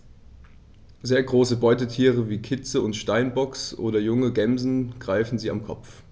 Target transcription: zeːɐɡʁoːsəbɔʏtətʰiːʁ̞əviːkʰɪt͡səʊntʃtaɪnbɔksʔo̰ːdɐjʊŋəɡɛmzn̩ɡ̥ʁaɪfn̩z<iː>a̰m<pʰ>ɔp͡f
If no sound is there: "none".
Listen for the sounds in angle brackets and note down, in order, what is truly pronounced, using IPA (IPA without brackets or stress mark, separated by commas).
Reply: iː, kʰ